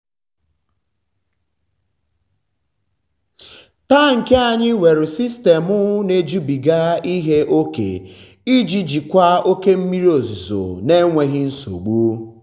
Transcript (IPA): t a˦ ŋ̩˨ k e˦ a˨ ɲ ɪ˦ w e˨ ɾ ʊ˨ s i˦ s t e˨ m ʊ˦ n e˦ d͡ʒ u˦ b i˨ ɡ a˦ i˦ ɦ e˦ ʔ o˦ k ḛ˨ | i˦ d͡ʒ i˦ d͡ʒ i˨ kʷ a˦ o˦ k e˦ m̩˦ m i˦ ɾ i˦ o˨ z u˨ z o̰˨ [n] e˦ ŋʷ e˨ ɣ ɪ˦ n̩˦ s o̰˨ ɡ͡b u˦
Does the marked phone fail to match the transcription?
no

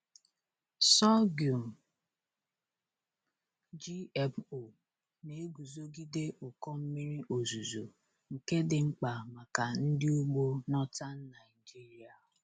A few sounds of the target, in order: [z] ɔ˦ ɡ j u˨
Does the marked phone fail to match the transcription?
yes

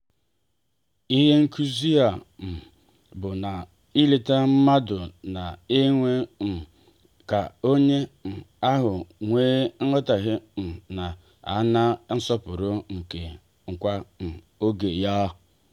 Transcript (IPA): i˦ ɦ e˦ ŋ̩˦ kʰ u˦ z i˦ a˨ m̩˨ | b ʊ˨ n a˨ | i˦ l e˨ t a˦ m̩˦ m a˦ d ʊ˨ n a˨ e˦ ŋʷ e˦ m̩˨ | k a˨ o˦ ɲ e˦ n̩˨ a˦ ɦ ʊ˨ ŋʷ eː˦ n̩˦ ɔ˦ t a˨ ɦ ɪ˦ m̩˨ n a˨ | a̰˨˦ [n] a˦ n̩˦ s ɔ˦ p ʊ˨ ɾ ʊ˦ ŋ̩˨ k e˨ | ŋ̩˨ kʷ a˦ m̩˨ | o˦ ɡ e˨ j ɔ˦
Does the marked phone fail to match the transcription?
no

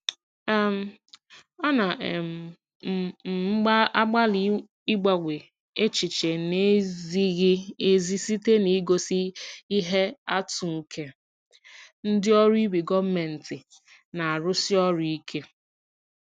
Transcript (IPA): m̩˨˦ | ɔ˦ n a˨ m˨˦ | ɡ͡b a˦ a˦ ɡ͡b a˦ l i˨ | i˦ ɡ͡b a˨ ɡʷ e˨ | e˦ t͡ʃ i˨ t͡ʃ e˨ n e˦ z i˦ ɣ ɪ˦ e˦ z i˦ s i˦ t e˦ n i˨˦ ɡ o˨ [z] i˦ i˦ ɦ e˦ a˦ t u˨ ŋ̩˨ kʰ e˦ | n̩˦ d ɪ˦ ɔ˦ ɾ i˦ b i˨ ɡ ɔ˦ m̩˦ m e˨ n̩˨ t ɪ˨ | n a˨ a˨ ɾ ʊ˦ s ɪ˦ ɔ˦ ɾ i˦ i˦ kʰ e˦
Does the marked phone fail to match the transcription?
yes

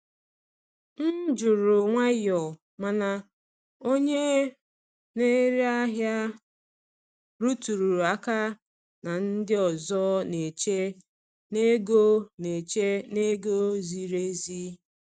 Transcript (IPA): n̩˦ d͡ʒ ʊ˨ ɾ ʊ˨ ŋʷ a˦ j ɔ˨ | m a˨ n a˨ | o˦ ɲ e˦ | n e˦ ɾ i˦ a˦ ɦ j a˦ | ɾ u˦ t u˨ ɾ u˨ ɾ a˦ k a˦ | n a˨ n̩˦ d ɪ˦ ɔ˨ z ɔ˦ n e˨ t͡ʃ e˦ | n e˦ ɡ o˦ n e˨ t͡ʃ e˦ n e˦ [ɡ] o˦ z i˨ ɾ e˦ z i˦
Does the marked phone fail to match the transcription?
no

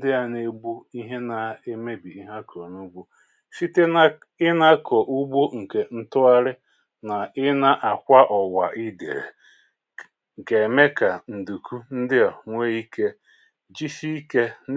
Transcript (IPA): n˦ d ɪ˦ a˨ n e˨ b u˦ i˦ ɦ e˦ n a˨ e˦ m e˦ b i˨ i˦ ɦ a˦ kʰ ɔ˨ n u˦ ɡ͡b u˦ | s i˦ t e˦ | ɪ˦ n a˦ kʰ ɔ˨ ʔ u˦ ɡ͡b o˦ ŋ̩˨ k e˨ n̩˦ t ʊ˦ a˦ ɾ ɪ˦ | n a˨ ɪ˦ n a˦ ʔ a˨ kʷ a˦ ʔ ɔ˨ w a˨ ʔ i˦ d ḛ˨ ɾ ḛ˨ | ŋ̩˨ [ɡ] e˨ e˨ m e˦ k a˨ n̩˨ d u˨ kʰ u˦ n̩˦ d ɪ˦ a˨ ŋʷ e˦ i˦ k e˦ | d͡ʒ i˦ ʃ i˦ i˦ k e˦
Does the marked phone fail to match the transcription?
yes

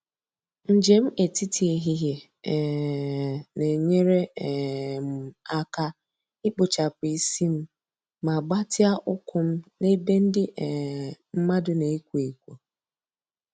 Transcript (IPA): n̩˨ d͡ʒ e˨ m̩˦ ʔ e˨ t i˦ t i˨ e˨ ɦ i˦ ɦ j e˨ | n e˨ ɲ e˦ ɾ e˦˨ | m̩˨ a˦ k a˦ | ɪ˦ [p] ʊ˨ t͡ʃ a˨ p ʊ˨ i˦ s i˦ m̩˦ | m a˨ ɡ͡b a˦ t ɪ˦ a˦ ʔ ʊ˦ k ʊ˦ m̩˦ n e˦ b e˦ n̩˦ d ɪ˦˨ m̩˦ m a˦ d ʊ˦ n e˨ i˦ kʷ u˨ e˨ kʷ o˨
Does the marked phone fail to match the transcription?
yes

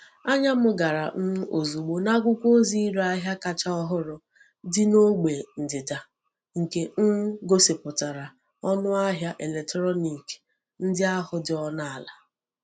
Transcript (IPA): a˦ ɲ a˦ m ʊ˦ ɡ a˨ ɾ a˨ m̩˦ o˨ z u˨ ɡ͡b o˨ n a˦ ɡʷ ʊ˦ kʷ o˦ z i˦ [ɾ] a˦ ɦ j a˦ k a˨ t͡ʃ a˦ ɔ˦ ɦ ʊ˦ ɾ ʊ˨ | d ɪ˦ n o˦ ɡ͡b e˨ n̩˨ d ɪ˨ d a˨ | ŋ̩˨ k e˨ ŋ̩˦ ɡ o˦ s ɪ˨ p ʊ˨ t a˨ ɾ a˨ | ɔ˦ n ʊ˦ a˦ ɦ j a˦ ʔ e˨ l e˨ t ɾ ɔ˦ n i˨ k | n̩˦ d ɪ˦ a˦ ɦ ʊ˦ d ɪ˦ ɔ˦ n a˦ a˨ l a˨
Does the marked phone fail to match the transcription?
no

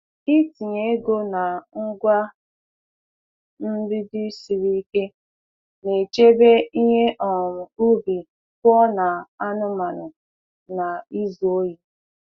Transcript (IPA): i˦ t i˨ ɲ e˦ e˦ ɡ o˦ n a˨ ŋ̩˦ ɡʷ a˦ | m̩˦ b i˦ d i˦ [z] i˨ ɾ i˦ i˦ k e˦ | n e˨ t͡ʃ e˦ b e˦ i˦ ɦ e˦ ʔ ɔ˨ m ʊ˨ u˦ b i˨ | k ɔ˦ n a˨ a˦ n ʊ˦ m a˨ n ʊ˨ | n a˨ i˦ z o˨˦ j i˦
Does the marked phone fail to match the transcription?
yes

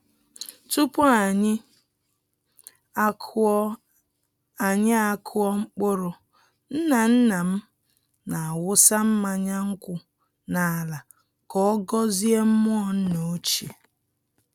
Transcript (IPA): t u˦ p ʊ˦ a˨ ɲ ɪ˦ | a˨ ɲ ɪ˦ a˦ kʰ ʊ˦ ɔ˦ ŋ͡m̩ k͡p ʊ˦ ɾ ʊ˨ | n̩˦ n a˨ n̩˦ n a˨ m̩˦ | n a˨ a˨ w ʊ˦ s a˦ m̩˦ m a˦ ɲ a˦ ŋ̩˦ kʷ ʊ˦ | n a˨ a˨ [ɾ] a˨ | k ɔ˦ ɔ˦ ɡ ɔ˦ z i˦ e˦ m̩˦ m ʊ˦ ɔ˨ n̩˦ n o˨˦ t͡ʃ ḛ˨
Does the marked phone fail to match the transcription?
yes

